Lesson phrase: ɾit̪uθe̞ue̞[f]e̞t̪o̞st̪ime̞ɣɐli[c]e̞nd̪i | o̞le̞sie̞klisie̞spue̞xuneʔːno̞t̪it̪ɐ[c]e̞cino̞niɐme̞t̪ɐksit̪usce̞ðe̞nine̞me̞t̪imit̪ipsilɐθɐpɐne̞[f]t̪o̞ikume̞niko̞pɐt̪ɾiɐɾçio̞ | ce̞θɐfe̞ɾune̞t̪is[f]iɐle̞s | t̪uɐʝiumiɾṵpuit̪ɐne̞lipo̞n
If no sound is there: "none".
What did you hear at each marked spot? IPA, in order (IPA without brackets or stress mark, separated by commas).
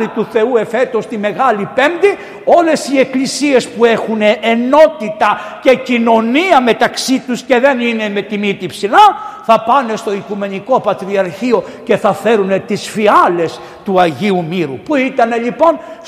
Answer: f, p, c, s, f